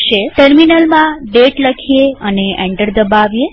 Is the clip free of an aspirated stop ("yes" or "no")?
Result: no